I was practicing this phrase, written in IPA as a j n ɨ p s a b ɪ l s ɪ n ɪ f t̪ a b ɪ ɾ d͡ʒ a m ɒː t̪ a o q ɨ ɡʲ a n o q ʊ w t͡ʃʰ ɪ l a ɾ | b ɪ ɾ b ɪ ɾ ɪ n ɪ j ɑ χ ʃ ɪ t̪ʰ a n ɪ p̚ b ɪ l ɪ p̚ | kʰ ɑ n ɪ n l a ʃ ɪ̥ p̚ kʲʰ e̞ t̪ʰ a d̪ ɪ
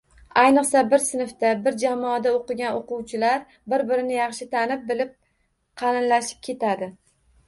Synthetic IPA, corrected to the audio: a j n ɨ q s a b ɪ ɾ s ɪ n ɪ f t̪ a b ɪ ɾ d͡ʒ a m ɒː d̪ a o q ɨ ɡʲ a n o q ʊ w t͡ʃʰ ɪ l a ɾ | b ɪ ɾ b ɪ ɾ ɪ n ɪ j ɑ χ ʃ ɪ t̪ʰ a n ɪ p̚ b ɪ l ɪ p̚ | qʰ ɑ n ɪ n l a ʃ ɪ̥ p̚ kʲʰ e̞ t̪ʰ a d̪ ɪ